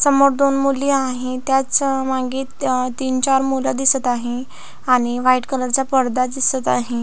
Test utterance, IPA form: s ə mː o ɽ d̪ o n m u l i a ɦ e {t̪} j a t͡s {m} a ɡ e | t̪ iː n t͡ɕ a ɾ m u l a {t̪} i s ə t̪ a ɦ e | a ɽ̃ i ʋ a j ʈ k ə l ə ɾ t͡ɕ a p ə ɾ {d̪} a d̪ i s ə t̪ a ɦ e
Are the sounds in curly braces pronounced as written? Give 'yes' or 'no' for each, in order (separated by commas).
yes, yes, no, yes